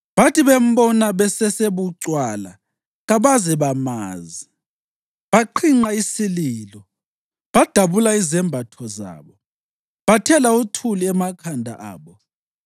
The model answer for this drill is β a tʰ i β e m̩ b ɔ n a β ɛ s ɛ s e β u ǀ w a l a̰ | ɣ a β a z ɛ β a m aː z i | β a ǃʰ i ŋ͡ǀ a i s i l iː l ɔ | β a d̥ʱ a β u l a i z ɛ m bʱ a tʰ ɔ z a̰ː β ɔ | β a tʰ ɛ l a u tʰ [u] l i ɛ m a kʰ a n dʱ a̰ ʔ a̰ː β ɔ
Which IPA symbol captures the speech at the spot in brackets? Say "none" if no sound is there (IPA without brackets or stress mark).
u